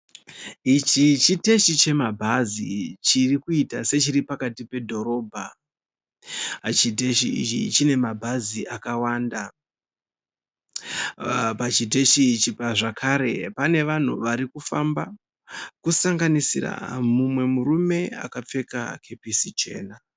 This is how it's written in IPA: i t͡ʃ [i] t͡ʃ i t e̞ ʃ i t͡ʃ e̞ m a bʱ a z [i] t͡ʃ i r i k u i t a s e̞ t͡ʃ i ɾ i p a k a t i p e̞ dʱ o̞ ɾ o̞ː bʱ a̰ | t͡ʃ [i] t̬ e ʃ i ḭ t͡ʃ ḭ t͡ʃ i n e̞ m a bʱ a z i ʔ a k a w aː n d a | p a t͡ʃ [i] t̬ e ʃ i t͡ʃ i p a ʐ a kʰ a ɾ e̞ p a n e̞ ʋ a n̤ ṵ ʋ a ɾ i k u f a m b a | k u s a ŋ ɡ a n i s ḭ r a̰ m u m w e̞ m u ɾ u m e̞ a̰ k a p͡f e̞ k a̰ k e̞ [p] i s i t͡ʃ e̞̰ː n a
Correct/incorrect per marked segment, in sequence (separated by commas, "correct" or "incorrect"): correct, correct, correct, correct, correct